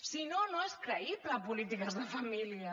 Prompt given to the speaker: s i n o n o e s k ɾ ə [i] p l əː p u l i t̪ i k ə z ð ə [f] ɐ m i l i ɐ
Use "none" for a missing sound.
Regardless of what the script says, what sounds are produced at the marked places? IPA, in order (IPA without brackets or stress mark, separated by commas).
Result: i, f